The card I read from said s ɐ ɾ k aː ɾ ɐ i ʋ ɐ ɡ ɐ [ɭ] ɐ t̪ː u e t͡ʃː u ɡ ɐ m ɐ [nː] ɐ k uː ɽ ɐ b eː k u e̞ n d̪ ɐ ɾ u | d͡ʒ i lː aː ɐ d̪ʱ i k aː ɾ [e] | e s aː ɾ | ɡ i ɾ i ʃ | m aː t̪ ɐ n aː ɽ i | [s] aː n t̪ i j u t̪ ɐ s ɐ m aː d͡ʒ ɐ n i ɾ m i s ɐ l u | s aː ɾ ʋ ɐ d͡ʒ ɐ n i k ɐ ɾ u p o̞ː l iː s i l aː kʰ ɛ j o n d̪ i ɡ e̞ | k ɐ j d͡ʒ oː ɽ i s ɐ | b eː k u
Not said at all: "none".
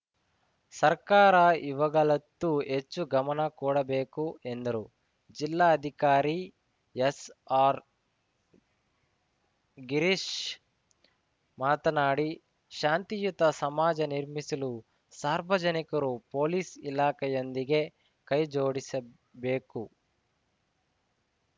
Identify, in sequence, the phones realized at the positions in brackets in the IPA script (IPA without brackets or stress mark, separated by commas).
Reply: ɭ, n, i, ʃ